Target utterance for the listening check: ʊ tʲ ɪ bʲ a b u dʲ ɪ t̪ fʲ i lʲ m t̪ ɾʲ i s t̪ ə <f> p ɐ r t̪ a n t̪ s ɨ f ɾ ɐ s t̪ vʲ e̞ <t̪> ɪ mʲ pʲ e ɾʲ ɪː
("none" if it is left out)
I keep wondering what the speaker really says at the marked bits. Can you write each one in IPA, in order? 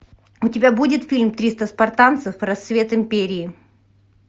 s, t̪

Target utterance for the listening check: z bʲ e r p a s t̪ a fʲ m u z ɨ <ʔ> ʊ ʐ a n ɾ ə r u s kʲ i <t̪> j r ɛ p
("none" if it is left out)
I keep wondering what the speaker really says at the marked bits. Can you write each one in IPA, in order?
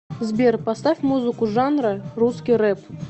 k, none

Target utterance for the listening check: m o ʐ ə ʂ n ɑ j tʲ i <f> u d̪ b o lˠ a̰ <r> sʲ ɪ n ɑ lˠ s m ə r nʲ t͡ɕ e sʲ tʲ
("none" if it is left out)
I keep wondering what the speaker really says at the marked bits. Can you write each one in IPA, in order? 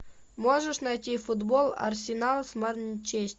f, r

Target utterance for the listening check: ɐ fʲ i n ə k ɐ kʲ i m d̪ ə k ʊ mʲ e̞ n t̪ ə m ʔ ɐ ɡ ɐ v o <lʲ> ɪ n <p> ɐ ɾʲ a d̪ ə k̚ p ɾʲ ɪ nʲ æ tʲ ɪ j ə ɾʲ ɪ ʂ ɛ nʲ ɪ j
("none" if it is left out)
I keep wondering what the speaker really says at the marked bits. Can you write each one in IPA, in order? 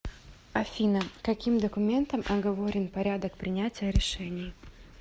ɾʲ, p

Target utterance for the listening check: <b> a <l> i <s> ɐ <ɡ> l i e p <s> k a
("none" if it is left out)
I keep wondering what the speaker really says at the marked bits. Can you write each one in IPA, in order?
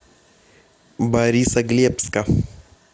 b, ɾ, s, ɡ, s

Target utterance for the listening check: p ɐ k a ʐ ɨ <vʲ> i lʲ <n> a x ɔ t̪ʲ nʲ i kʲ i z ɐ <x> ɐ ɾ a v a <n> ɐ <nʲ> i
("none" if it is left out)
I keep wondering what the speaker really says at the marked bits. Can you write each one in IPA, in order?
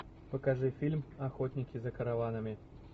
fʲ, m, k, n, mʲ

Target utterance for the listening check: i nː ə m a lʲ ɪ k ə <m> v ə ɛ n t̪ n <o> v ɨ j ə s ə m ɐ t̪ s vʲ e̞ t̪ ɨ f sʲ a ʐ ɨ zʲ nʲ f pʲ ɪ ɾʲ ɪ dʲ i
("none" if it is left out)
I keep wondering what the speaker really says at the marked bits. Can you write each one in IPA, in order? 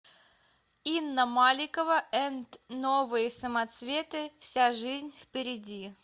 none, o

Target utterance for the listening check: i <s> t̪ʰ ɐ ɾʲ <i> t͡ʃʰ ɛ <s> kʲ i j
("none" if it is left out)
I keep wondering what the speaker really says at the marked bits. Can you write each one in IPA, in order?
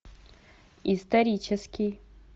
s, i, s

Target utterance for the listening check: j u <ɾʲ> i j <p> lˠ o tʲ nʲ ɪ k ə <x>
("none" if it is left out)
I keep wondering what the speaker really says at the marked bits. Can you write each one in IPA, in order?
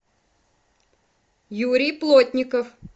ɾʲ, p, f

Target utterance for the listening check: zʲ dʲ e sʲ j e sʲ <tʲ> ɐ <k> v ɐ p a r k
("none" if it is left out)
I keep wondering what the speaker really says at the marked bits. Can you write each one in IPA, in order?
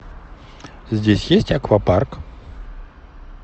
tʲ, k

